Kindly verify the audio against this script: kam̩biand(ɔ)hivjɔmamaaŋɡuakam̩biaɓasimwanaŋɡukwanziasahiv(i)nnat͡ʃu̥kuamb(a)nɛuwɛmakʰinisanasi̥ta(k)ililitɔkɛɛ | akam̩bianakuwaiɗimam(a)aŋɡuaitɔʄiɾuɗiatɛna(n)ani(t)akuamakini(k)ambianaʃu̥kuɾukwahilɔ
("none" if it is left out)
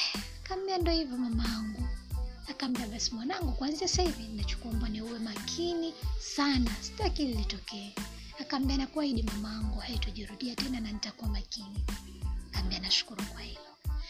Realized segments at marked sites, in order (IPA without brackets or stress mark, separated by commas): ɔ, i, a, k, a, n, t, k